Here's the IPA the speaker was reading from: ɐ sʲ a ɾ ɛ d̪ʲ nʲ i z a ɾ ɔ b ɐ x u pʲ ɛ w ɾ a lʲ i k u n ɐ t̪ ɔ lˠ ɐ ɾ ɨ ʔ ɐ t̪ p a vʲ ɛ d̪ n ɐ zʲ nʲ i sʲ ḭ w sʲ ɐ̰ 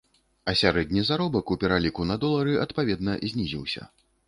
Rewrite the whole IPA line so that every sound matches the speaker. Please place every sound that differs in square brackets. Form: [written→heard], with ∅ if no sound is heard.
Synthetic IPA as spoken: ɐ sʲ a ɾ ɛ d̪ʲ nʲ i z a ɾ ɔ b ɐ [x→k] u pʲ ɛ [w→∅] ɾ a lʲ i k u n ɐ [t̪→d̪] ɔ lˠ ɐ ɾ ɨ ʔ ɐ t̪ p a vʲ ɛ d̪ n ɐ zʲ nʲ i [sʲ→zʲ] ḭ w sʲ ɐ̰